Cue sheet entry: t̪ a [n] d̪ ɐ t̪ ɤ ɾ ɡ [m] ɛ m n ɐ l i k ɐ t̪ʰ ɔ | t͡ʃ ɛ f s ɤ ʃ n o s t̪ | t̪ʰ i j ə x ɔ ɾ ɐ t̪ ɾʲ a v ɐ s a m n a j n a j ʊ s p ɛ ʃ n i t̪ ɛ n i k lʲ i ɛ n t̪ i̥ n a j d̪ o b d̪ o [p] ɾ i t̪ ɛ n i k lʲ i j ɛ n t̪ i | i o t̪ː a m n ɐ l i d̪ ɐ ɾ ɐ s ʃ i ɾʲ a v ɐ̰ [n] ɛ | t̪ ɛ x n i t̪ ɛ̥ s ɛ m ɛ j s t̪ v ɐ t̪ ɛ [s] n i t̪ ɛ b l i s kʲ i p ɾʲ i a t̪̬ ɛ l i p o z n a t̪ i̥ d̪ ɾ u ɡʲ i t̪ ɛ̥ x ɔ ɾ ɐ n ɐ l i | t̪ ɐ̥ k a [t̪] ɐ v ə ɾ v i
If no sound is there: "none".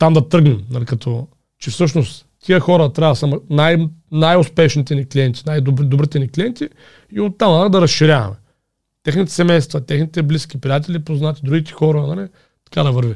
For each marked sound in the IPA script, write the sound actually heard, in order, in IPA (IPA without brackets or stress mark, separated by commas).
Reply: m, n, b, m, x, d̪